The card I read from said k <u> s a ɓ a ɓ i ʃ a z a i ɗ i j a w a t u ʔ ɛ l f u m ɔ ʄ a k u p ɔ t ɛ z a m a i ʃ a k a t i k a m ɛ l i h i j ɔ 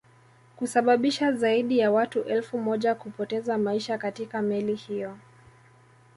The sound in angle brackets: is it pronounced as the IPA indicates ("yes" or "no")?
yes